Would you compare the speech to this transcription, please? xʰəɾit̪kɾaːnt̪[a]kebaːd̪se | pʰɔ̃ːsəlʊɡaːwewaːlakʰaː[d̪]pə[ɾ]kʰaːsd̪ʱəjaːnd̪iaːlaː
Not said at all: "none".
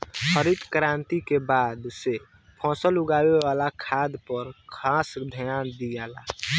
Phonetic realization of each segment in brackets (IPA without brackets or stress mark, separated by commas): i, d̪, ɾ